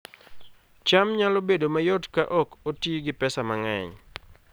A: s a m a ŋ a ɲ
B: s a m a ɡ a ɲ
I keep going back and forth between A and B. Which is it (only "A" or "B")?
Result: A